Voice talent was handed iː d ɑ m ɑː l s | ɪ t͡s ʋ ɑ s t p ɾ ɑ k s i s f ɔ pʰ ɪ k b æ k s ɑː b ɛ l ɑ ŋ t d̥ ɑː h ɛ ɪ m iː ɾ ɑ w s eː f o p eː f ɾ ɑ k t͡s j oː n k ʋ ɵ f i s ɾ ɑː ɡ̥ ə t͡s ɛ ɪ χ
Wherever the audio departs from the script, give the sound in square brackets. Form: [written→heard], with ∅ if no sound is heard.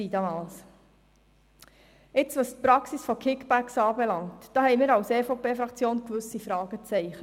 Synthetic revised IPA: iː d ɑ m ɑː l s | ɪ t͡s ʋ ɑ s t p ɾ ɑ k s i s f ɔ [pʰ→kʰ] ɪ k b æ k s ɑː b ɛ l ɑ ŋ t d̥ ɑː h ɛ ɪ m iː ɾ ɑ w s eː f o p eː f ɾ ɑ k t͡s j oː n k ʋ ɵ [f→s] i [s→f] ɾ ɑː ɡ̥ ə t͡s ɛ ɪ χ